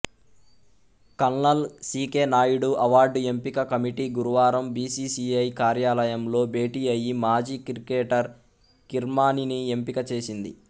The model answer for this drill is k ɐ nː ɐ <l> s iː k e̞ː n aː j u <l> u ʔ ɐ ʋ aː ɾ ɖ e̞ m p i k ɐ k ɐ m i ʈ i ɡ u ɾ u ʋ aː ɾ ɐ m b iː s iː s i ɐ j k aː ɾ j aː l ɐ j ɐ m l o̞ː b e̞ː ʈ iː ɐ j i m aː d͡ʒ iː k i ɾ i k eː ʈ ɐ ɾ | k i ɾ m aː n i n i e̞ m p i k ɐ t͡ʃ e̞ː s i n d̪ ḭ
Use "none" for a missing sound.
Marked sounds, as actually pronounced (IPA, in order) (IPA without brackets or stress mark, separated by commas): l, ɽ